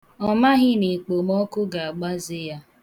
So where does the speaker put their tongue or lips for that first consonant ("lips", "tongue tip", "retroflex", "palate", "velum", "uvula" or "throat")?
lips